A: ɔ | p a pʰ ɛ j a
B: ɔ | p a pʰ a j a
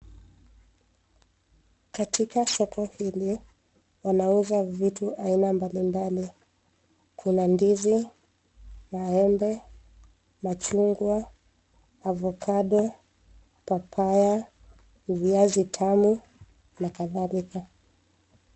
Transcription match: B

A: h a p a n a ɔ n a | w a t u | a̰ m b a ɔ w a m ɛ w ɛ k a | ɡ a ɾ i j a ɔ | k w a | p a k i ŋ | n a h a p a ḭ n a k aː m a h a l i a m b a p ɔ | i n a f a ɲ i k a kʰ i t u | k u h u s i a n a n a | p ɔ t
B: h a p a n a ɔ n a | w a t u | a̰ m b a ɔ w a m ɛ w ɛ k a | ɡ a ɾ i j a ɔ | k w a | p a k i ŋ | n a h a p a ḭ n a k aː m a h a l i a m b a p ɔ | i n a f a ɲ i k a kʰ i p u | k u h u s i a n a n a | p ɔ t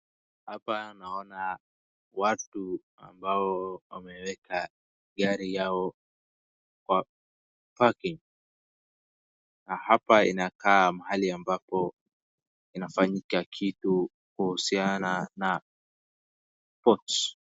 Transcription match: A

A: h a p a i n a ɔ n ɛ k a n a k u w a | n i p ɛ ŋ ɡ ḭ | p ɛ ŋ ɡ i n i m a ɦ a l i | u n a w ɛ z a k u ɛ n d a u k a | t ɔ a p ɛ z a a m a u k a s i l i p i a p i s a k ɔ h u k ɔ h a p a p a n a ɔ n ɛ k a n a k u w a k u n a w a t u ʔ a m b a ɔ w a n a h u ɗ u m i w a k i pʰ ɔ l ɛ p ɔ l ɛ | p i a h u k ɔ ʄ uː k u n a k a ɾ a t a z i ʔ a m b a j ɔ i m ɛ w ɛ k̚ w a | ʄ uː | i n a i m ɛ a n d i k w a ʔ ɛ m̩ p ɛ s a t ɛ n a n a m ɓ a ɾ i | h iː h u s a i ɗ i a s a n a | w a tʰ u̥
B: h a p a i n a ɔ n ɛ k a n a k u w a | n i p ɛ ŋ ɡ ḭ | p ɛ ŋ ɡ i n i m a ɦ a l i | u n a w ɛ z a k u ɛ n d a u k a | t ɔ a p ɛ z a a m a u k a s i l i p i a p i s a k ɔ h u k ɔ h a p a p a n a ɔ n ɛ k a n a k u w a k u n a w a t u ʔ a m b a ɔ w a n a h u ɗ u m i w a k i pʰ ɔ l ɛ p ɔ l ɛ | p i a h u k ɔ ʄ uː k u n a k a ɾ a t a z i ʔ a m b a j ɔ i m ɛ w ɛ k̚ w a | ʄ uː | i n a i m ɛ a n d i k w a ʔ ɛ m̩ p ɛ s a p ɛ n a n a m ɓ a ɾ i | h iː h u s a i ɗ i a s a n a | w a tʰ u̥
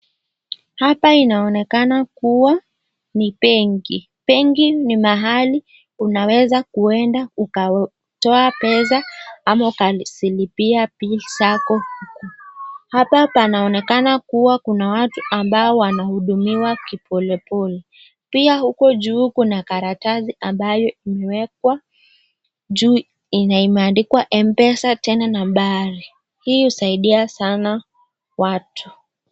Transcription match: A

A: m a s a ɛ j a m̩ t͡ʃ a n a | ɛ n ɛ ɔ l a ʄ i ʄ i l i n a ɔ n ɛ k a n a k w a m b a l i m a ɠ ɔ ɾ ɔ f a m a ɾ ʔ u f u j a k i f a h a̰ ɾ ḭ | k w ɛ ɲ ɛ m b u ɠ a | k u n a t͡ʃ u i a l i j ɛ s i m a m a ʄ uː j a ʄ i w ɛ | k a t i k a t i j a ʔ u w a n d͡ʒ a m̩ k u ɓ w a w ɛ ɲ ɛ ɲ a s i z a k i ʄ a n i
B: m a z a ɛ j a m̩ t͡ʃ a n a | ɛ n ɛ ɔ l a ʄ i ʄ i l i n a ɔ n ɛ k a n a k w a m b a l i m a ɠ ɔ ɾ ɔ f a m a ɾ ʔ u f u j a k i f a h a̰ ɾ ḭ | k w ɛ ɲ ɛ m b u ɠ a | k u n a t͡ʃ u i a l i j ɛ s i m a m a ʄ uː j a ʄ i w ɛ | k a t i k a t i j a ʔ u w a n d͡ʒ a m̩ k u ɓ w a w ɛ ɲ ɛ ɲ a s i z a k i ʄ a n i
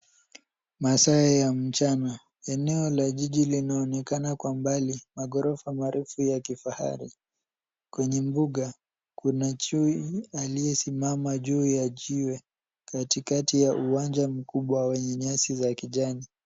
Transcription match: A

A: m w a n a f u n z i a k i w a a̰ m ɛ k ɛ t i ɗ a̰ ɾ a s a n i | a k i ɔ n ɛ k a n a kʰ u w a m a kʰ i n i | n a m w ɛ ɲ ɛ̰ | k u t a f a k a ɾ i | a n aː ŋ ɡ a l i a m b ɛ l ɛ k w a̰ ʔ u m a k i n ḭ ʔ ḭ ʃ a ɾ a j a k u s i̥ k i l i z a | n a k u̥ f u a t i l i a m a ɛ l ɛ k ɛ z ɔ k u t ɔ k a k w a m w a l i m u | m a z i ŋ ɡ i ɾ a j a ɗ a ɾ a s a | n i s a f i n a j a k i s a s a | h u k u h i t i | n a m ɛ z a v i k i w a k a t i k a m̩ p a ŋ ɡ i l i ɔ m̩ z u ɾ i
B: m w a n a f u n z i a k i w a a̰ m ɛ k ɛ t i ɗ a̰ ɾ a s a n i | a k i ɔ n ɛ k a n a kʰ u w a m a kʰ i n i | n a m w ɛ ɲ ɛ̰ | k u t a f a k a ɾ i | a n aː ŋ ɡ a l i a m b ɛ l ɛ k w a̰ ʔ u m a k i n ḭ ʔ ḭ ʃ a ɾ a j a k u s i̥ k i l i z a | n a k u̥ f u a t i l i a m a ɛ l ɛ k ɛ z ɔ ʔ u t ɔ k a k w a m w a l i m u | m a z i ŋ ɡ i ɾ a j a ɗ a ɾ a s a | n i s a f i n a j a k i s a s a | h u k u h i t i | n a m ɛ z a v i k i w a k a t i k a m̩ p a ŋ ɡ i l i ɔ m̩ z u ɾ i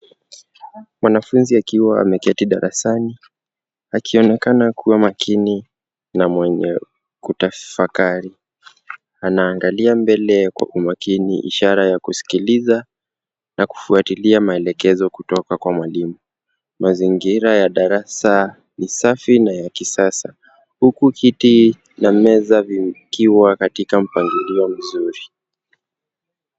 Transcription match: A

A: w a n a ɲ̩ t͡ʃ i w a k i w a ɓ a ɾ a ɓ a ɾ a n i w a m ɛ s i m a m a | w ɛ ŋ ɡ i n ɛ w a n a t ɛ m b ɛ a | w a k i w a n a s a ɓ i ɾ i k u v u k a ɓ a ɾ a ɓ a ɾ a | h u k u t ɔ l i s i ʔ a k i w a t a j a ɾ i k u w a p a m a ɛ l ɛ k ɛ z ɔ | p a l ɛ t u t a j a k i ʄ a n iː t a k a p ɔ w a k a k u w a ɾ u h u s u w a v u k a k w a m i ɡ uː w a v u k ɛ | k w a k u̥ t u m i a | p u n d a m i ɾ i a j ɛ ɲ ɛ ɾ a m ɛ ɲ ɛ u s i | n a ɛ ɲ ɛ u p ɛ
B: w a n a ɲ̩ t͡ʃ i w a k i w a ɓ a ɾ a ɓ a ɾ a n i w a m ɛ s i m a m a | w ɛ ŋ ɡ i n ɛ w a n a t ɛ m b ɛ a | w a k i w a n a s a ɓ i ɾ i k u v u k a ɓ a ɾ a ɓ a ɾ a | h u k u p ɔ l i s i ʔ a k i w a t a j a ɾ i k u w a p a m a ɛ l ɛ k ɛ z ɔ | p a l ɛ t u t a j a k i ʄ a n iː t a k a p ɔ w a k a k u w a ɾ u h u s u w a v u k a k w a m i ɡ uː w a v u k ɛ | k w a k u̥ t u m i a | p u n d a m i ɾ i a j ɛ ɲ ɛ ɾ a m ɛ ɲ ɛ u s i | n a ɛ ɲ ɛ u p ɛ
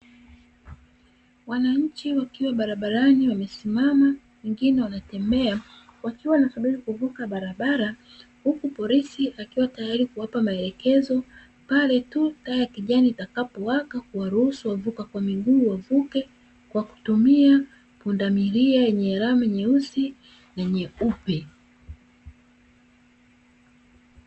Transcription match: B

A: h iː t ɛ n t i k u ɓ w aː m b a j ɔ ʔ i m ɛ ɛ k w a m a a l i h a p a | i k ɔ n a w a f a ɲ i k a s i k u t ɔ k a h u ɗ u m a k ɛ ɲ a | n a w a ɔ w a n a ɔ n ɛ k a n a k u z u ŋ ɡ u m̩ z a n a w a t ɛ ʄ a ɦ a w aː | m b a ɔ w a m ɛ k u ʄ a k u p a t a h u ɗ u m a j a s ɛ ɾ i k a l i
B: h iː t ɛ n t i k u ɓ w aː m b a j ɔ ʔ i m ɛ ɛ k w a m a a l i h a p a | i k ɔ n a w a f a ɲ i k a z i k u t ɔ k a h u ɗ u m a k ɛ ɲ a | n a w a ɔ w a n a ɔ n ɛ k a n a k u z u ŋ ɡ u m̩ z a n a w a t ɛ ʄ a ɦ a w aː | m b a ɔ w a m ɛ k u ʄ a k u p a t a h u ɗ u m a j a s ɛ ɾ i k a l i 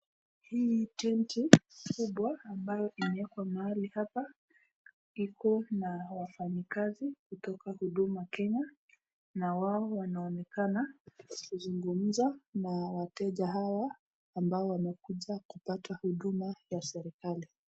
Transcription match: B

